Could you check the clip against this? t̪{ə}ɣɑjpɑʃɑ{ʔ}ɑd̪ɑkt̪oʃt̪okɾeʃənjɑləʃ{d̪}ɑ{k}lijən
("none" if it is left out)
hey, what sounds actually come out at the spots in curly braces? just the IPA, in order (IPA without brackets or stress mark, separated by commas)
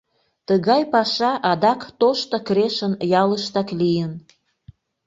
ə, ʔ, t̪, k